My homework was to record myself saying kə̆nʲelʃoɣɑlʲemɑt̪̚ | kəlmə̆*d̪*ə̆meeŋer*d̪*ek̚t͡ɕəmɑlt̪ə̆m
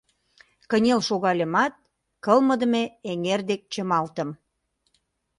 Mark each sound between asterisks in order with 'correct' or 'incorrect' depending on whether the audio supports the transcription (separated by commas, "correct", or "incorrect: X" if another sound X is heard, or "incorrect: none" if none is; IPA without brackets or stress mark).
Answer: correct, correct